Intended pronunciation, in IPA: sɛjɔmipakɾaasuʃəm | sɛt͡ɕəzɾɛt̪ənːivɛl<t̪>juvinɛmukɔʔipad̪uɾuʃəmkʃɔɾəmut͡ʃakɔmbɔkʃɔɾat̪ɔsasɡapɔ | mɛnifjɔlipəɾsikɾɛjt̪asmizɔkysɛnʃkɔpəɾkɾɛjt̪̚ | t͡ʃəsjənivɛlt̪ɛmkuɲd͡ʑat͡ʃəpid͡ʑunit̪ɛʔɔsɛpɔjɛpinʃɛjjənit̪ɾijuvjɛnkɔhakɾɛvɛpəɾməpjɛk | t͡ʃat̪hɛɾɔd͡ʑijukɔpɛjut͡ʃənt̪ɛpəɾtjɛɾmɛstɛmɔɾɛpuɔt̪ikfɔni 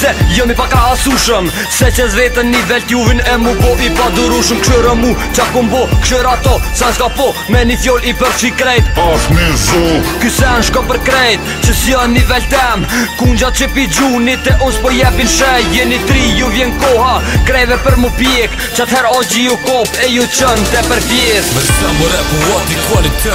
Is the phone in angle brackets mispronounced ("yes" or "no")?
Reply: no